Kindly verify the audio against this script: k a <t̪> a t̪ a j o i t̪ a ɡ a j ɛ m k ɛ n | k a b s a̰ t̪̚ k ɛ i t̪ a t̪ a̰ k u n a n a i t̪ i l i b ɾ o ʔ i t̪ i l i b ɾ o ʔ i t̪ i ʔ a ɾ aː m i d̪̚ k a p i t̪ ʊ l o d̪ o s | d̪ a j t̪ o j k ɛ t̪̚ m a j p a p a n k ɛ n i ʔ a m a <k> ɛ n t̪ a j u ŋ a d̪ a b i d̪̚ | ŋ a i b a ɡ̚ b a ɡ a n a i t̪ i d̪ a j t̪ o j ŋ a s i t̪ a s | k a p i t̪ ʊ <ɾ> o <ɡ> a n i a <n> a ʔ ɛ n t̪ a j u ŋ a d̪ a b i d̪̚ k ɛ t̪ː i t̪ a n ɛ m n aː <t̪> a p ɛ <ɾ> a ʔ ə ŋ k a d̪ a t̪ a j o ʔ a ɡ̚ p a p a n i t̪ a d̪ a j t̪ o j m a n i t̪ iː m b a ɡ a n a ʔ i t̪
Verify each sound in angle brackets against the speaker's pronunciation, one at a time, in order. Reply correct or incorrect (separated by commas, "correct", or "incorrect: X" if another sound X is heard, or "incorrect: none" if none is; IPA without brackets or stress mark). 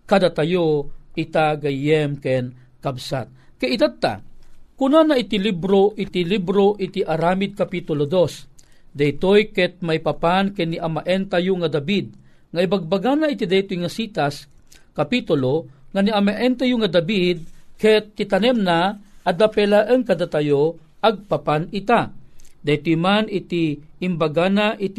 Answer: incorrect: d̪, incorrect: ʔ, incorrect: l, incorrect: ŋ, incorrect: m, incorrect: d̪, incorrect: l